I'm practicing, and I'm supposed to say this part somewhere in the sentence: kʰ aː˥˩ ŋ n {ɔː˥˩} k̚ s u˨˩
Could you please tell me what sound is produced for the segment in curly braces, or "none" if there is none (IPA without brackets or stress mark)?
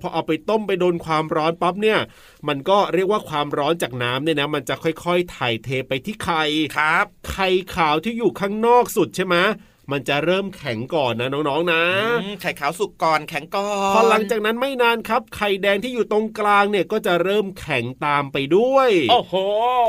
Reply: ɔː˥˩